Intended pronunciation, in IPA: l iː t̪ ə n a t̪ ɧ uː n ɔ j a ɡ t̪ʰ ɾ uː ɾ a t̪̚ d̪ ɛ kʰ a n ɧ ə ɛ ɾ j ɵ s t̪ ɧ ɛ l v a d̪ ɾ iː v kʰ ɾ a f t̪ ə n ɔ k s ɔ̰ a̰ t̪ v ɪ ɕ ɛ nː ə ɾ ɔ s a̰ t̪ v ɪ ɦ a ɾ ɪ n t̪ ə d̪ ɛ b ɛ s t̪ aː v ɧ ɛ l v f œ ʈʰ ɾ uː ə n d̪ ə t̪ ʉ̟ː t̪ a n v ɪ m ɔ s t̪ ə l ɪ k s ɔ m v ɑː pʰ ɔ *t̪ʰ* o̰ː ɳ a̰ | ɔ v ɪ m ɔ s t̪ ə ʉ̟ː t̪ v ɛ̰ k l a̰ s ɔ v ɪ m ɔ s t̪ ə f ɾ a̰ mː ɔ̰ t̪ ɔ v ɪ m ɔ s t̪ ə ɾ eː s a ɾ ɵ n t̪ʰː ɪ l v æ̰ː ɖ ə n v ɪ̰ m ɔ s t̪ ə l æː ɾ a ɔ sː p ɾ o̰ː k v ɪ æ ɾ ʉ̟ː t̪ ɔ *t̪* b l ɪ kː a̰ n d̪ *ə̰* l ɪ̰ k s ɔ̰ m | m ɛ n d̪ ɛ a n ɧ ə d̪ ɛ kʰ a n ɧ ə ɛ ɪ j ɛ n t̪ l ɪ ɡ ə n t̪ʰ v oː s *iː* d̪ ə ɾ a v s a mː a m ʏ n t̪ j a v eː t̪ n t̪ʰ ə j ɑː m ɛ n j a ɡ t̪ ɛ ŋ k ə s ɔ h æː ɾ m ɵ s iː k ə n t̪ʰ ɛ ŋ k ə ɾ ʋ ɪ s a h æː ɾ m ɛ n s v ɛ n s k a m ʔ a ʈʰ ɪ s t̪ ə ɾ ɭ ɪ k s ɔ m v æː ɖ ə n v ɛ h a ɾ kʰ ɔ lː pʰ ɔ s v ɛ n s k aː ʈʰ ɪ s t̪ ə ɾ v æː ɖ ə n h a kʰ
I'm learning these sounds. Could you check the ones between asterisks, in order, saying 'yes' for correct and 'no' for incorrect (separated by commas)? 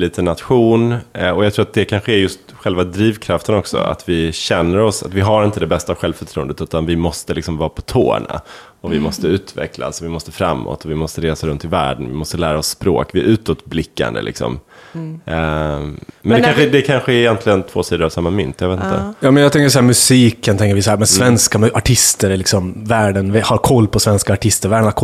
yes, yes, yes, yes